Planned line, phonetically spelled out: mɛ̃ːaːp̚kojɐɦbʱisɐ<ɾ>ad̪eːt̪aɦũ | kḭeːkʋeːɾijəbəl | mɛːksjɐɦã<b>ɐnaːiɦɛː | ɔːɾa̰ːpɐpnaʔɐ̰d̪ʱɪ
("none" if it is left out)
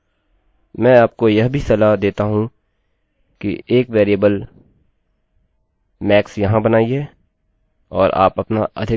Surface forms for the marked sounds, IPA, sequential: l, b

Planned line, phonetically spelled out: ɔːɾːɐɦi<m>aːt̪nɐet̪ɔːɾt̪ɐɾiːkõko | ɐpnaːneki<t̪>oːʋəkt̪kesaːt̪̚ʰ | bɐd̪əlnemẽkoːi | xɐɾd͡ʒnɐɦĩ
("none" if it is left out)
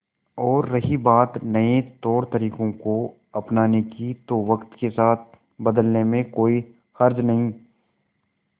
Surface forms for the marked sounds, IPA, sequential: b, t̪

